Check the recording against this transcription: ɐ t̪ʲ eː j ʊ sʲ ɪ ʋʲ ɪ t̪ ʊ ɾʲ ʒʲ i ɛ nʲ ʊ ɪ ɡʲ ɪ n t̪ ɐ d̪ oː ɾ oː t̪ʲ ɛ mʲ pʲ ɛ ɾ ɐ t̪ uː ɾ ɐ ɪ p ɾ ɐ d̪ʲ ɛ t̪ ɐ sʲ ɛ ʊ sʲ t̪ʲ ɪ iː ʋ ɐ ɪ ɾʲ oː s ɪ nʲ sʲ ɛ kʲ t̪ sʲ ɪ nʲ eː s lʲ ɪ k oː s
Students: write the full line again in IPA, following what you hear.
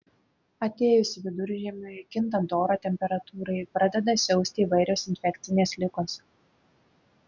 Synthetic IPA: ɐ t̪ʲ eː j ʊ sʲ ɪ ʋʲ ɪ d̪ ʊ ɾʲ ʒʲ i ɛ mʲ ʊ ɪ kʲ ɪ n t̪ ɐ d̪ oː ɾ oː t̪ʲ ɛ mʲ pʲ ɛ ɾ ɐ t̪ uː ɾ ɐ ɪ p ɾ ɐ d̪ʲ ɛ d̪ ɐ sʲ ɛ ʊ sʲ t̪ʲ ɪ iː ʋ ɐ ɪ ɾʲ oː s ɪ nʲ fʲ ɛ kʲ t̪ sʲ ɪ nʲ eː s lʲ ɪ k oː s

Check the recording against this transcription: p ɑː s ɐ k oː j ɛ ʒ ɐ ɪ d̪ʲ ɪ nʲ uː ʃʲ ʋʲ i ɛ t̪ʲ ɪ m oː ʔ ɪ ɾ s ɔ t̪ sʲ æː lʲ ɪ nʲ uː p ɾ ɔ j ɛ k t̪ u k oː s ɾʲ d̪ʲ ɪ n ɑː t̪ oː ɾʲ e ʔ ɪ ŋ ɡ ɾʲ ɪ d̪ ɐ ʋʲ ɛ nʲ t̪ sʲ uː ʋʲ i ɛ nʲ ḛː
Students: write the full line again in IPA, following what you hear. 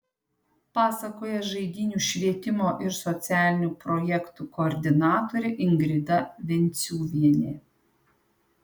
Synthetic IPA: p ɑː s ɐ k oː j ɛ ʒ ɐ ɪ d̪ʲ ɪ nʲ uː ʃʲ ʋʲ i ɛ t̪ʲ ɪ m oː ʔ ɪ ɾ s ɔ t̪ sʲ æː lʲ ɪ nʲ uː p ɾ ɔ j ɛ k t̪ u k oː ɾʲ d̪ʲ ɪ n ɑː t̪ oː ɾʲ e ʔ ɪ ŋ ɡ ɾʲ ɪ d̪ ɐ ʋʲ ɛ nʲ t̪ sʲ uː ʋʲ i ɛ nʲ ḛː

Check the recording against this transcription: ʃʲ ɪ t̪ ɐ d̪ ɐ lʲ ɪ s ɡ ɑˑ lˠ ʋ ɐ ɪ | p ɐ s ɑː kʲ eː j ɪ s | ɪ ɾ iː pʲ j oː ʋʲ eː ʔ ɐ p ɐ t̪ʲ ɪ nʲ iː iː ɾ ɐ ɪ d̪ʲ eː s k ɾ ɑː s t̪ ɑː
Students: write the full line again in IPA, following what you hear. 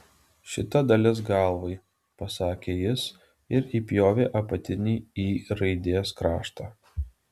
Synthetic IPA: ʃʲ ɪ t̪ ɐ d̪ ɐ lʲ ɪ s ɡ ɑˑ lˠ ʋ ɐ ɪ | p ɐ s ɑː kʲ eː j ɪ s | ɪ ɾ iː pʲ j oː ʋʲ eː ʔ ɐ p ɐ t̪ʲ ɪ nʲ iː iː ɾ ɐ ɪ d̪ʲ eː s k ɾ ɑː ʃ t̪ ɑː

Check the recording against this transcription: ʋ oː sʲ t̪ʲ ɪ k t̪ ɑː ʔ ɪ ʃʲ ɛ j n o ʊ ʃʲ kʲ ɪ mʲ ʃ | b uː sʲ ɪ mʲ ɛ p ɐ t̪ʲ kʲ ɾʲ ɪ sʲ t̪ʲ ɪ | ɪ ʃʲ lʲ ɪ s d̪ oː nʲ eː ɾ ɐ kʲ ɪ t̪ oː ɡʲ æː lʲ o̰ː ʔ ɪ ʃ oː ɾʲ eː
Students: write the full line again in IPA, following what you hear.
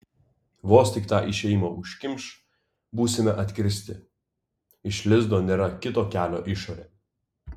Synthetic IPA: ʋ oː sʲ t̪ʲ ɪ k t̪ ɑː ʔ ɪ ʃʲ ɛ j m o ʊ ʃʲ kʲ ɪ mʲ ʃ | b uː sʲ ɪ mʲ ɛ ʔ ɐ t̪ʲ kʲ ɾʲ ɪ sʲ t̪ʲ ɪ | ɪ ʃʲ lʲ ɪ z d̪ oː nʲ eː ɾ ɐ kʲ ɪ t̪ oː kʲ æː lʲ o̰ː ʔ ɪ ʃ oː ɾʲ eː

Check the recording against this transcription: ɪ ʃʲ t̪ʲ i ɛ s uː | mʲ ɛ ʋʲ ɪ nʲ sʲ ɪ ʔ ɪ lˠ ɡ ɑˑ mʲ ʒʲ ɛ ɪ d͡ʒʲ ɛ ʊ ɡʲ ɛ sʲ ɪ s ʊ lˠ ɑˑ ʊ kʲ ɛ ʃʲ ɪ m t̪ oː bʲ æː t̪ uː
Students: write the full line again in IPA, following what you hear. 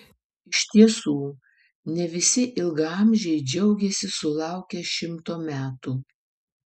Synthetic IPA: ɪ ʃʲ t̪ʲ i ɛ s uː | nʲ ɛ ʋʲ ɪ sʲ ɪ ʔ ɪ lˠ ɡ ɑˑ mʲ ʒʲ ɛ ɪ d͡ʒʲ ɛ ʊ ɡʲ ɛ sʲ ɪ s ʊ lˠ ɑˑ ʊ kʲ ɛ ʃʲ ɪ m t̪ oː mʲ æː t̪ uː

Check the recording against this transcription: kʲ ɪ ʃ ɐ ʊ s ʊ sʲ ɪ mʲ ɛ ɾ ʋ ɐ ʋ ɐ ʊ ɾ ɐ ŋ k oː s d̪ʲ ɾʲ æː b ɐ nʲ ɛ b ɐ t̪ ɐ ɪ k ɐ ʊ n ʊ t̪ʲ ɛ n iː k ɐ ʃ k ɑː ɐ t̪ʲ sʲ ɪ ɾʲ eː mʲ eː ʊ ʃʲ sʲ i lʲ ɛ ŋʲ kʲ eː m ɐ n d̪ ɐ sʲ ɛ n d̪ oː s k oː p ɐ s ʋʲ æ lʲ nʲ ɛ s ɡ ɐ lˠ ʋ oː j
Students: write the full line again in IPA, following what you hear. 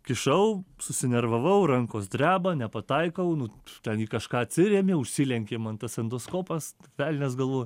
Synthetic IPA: kʲ ɪ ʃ ɐ ʊ s ʊ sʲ ɪ nʲ ɛ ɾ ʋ ɐ ʋ ɐ ʊ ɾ ɐ ŋ k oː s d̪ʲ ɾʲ æː b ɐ nʲ ɛ p ɐ t̪ ɐ ɪ k ɐ ʊ n ʊ t̪ʲ ɛ n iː k ɐ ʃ k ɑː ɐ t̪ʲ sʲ ɪ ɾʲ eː mʲ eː ʊ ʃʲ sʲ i lʲ ɛ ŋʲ kʲ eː m ɐ n t̪ ɐ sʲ ɛ n d̪ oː s k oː p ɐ s ʋʲ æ lʲ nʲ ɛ s ɡ ɐ lˠ ʋ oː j

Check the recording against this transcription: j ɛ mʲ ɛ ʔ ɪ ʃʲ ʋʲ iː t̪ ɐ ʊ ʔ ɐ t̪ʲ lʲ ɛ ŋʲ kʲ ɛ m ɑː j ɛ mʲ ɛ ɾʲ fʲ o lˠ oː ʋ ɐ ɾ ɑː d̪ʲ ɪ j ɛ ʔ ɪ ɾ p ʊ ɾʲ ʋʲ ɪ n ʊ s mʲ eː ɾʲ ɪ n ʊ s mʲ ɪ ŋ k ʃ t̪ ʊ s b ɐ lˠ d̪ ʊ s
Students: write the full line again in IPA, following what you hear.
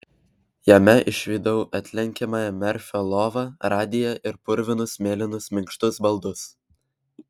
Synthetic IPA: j ɛ mʲ ɛ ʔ ɪ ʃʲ ʋʲ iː d̪ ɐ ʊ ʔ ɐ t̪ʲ lʲ ɛ ŋʲ kʲ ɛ m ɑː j ɛ mʲ ɛ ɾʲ fʲ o lˠ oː ʋ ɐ ɾ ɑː d̪ʲ ɪ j ɛ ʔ ɪ ɾ p ʊ ɾʲ ʋʲ ɪ n ʊ s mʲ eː lʲ ɪ n ʊ s mʲ ɪ ŋ k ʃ t̪ ʊ s b ɐ lˠ d̪ ʊ s

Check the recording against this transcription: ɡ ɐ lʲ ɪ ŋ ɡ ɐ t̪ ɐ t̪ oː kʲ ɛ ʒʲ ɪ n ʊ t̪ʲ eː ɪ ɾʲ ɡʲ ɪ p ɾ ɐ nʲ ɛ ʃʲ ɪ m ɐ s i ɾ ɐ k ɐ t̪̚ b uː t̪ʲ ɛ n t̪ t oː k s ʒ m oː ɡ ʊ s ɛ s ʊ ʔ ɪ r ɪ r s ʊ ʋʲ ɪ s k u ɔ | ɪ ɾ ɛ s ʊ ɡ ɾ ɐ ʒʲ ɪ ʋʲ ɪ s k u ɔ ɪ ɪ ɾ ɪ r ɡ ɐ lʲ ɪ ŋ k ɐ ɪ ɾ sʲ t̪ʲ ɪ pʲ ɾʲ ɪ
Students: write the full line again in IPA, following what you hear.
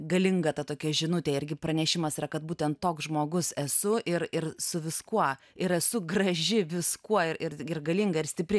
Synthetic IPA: ɡ ɐ lʲ ɪ ŋ ɡ ɐ t̪ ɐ t̪ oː kʲ ɛ ʒʲ ɪ n ʊ t̪ʲ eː ɪ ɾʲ ɡʲ ɪ p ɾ ɐ nʲ ɛ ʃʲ ɪ m ɐ s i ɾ ɐ k ɐ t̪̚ b uː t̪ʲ ɛ n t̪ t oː k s ʒ m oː ɡ ʊ s ɛ s ʊ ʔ ɪ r ɪ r s ʊ ʋʲ ɪ s k u ɔ | ɪ ɾ ɛ s ʊ ɡ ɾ ɐ ʒʲ ɪ ʋʲ ɪ s k u ɔ ɪ ɪ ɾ ɪ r ɡ ɐ lʲ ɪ ŋ ɡ ɐ ɪ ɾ sʲ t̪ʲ ɪ pʲ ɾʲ ɪ

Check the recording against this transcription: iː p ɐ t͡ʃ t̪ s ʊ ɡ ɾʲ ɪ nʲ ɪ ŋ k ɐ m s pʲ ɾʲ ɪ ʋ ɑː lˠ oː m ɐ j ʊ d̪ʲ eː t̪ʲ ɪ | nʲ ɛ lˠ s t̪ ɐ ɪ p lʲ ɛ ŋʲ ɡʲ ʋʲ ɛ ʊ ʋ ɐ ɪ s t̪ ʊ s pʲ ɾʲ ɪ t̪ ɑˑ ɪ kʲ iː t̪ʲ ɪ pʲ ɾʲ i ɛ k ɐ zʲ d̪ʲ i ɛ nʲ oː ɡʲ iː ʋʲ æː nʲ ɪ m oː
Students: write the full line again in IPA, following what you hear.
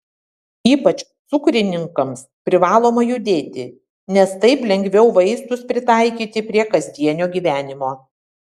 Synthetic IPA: iː p ɐ t͡ʃ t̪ s ʊ k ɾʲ ɪ nʲ ɪ ŋ k ɐ m s pʲ ɾʲ ɪ ʋ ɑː lˠ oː m ɐ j ʊ d̪ʲ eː t̪ʲ ɪ | nʲ ɛ s t̪ ɐ ɪ p lʲ ɛ ŋʲ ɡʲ ʋʲ ɛ ʊ ʋ ɐ ɪ s t̪ ʊ s pʲ ɾʲ ɪ t̪ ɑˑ ɪ kʲ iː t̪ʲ ɪ pʲ ɾʲ i ɛ k ɐ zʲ d̪ʲ i ɛ nʲ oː ɡʲ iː ʋʲ æː nʲ ɪ m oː

